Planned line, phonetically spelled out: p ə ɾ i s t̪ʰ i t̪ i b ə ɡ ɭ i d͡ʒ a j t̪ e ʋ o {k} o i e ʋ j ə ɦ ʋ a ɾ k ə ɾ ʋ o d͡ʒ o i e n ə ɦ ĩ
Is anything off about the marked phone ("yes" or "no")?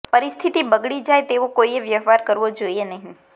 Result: no